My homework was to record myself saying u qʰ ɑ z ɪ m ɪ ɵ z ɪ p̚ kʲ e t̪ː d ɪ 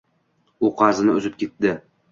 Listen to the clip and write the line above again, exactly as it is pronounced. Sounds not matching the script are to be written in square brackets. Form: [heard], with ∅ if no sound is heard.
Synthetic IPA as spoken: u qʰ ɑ z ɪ [n] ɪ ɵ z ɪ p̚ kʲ e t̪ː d ɪ